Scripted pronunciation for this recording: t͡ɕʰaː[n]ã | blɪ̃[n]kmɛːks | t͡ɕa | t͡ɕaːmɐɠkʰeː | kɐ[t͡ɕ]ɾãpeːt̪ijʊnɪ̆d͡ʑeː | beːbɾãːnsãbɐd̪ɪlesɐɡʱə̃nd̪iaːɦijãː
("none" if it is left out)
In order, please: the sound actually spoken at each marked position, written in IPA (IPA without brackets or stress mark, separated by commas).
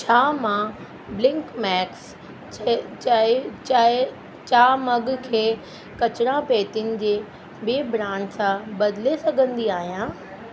m, ŋ, t͡ɕ